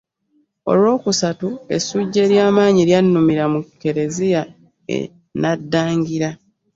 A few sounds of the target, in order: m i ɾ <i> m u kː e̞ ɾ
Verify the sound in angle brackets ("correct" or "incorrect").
incorrect